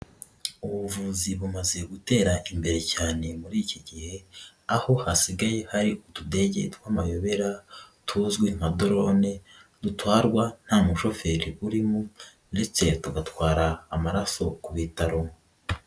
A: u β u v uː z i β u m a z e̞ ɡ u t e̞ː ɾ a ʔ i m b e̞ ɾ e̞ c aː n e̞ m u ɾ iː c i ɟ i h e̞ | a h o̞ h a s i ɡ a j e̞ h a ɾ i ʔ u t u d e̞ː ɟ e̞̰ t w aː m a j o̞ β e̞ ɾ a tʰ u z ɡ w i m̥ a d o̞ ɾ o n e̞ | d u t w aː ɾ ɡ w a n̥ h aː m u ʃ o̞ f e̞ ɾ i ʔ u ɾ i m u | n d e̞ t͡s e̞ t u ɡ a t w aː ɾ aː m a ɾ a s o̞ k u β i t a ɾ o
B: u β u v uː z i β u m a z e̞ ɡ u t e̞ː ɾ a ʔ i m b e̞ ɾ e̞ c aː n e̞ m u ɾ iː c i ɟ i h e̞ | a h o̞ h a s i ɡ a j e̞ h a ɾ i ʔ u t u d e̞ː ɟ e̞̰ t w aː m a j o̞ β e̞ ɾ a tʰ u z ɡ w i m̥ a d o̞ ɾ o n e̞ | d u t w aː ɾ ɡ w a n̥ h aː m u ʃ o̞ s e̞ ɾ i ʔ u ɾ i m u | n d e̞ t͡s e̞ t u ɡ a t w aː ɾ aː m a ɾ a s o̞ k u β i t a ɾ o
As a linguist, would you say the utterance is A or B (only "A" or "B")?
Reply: A